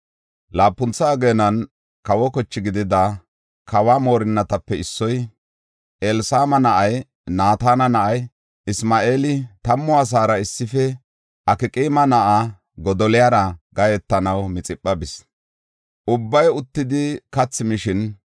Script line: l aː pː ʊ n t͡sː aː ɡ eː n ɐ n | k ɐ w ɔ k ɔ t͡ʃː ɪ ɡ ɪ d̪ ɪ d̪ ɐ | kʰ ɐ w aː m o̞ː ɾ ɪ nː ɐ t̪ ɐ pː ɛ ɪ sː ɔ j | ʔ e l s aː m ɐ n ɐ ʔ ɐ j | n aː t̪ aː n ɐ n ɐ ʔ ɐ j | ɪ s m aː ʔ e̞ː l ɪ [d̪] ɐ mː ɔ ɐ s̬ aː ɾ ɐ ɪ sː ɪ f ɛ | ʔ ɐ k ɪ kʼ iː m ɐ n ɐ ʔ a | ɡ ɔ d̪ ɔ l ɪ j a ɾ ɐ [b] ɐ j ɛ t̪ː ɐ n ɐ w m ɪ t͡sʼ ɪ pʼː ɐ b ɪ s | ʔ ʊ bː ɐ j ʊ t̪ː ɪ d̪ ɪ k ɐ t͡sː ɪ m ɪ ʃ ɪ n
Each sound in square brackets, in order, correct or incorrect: incorrect, incorrect

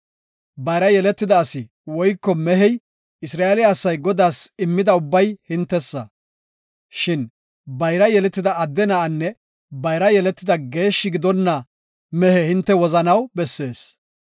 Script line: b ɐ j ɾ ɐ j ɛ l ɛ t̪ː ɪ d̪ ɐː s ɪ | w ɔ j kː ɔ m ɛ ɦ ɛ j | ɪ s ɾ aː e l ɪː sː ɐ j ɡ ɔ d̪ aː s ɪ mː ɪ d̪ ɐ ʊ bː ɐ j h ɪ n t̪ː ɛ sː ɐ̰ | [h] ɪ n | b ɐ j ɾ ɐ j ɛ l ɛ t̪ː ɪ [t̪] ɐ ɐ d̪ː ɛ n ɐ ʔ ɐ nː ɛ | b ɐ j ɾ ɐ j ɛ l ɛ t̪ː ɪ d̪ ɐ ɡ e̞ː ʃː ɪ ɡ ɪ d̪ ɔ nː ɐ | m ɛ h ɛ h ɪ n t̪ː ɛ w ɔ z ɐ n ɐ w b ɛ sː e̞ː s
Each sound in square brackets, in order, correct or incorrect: incorrect, incorrect

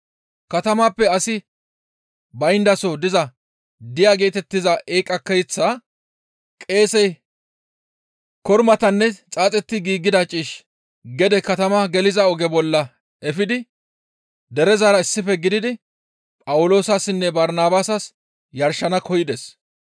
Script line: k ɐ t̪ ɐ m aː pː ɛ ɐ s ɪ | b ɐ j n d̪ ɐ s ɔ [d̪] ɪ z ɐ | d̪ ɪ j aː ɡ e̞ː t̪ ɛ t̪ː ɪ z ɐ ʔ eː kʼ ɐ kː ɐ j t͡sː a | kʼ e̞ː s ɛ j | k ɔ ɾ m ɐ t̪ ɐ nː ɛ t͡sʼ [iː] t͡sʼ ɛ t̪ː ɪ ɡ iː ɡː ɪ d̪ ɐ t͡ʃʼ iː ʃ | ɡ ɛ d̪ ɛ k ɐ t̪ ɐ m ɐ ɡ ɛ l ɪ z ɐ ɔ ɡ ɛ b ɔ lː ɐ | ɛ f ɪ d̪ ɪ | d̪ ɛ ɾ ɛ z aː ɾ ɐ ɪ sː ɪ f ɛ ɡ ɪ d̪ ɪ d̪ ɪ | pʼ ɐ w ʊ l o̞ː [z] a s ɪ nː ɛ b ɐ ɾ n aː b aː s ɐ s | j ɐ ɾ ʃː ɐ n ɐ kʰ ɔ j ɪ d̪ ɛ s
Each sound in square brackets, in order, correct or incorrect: correct, incorrect, incorrect

